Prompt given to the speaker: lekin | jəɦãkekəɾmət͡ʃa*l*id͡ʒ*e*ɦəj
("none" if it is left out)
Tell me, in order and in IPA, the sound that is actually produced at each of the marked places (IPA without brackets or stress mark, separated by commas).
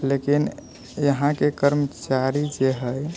ɾ, e